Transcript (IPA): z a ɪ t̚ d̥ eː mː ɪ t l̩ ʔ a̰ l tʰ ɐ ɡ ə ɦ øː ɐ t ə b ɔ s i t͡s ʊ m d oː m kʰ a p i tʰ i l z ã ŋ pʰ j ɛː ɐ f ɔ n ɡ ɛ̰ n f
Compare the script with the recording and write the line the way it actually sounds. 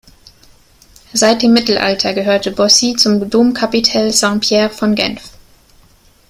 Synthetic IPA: z a ɪ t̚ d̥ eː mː ɪ t l̩ ʔ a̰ l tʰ ɐ ɡ ə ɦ øː ɐ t ə b ɔ s i t͡s ʊ m d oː m kʰ a p i tʰ ɛ l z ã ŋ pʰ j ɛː ɐ f ɔ n ɡ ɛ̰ n f